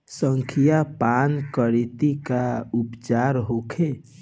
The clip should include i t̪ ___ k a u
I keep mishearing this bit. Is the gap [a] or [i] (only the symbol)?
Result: i